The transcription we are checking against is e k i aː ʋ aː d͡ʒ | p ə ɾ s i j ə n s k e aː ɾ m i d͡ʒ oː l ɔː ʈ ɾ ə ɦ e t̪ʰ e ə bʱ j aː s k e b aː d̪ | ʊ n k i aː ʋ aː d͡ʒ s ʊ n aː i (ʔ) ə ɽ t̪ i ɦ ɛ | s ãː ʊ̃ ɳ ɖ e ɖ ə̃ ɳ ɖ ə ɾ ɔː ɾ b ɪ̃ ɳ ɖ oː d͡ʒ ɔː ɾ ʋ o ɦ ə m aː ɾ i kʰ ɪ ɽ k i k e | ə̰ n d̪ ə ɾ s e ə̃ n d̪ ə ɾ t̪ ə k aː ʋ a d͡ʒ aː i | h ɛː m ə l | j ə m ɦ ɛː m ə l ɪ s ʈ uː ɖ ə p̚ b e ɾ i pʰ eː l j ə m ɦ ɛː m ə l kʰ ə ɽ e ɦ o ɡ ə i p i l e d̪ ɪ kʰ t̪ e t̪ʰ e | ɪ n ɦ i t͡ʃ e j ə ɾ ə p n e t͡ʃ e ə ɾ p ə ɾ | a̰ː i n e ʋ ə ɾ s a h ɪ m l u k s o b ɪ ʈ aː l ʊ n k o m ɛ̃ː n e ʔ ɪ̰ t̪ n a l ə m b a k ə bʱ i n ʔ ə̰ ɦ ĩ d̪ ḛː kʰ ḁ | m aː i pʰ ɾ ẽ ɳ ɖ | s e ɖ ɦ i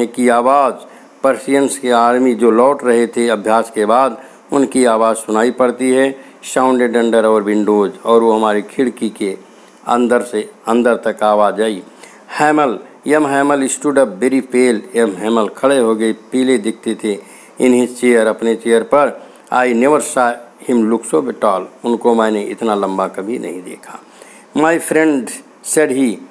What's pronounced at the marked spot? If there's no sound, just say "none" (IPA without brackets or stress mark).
p